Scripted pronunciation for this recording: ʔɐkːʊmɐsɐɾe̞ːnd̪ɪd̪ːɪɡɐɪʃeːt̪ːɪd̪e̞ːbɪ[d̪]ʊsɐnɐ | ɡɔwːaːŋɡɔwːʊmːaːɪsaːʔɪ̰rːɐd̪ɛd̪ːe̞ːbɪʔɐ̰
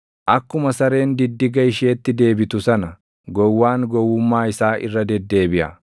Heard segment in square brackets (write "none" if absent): t̪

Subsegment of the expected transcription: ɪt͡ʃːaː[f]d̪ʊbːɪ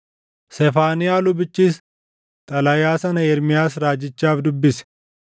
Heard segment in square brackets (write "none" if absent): f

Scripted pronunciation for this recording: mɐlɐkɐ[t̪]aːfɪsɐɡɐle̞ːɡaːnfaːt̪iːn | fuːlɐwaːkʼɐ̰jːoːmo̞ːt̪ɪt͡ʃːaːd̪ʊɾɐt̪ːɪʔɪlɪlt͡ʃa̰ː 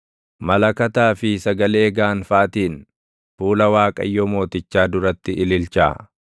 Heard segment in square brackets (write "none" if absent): t̪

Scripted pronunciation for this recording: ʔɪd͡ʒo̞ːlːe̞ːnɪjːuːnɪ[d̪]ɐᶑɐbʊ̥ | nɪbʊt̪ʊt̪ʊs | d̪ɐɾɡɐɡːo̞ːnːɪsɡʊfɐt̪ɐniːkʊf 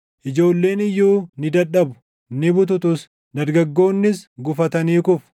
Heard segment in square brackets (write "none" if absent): d̪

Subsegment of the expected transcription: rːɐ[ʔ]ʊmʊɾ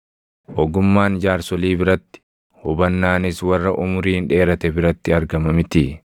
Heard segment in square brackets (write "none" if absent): ʔ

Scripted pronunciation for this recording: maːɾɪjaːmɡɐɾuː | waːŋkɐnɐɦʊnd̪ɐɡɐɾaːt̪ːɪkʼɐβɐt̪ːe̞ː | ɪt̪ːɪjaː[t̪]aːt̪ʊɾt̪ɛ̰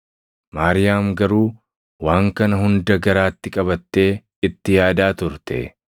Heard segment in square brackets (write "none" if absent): d̪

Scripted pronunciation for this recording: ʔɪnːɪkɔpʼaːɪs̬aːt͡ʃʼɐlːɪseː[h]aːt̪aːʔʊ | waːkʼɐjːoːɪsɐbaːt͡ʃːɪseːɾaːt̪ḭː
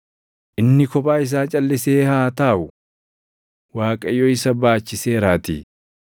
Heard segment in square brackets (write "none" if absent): h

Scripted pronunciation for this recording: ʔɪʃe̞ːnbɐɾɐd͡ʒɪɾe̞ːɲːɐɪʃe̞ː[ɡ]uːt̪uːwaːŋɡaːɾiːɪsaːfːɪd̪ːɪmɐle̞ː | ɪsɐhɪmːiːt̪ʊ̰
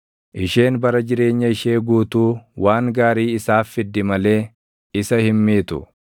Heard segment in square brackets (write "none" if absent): ɡ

